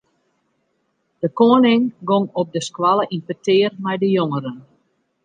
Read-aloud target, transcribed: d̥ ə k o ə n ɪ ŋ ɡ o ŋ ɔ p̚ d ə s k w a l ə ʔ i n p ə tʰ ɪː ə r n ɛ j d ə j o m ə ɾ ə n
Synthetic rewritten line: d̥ ə k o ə n ɪ ŋ ɡ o ŋ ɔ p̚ d ə s k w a l ə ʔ i n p ə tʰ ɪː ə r m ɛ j d ə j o ŋ ə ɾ ə n